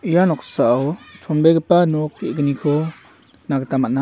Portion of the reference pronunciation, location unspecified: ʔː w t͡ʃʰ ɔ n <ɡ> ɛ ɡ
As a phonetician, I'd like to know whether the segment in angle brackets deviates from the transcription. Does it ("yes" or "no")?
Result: yes